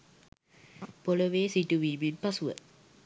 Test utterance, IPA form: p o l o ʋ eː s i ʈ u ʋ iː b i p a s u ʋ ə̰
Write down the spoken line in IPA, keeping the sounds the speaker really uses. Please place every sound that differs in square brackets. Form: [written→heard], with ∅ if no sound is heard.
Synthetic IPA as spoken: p o l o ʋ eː s i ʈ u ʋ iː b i p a s u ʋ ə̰